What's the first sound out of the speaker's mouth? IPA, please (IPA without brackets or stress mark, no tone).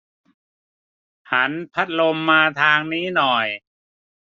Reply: h